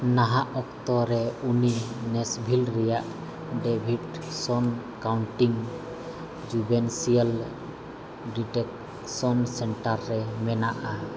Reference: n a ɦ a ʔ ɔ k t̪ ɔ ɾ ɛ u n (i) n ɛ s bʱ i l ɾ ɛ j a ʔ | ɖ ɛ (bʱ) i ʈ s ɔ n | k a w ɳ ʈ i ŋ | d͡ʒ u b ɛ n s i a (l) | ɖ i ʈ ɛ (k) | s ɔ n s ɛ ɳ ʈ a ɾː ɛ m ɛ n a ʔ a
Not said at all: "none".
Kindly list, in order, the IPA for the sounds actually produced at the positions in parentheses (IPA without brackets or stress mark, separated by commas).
i, bʱ, l, k